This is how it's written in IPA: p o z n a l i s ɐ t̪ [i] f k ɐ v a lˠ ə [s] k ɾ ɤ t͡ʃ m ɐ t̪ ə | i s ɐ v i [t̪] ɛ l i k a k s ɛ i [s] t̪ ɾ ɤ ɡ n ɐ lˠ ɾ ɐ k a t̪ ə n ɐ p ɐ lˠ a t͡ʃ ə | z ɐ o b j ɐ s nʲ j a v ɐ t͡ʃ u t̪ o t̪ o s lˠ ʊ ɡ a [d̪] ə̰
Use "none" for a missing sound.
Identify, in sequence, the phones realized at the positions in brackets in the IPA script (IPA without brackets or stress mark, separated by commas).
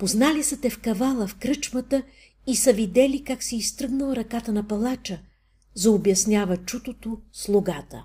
ɛ, f, d̪, s, t̪